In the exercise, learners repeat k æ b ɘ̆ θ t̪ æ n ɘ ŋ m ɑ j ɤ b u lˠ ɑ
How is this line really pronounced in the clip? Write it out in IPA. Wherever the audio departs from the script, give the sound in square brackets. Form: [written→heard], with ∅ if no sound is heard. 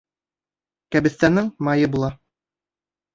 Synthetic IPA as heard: k æ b ɘ̆ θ t̪ æ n ɘ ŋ m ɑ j ɤ b u lˠ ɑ